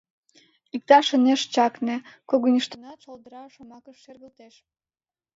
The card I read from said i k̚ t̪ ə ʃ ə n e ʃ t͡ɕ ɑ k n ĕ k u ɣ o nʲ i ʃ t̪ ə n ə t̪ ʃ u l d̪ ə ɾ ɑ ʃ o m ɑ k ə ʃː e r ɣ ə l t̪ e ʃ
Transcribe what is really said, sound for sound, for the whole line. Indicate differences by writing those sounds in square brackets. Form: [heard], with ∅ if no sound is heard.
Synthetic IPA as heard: i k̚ t̪ [ɑ] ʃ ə n e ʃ t͡ɕ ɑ k n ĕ k [o] ɣ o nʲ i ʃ t̪ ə n [ɑ] t̪ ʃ [o] l d̪ ə ɾ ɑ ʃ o m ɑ k ə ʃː e r ɣ ə l t̪ e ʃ